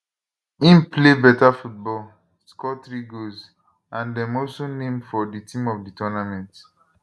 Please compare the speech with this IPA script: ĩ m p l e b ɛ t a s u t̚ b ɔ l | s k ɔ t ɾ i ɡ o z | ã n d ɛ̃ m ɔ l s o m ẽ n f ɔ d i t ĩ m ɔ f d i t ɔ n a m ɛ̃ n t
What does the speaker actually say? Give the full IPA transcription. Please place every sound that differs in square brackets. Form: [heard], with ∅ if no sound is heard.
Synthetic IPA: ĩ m p l e b ɛ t a [f] u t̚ b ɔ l | s k ɔ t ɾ i ɡ o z | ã n d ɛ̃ m ɔ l s o [n] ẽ [m] f ɔ d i t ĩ m ɔ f d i t ɔ n a m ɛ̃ n t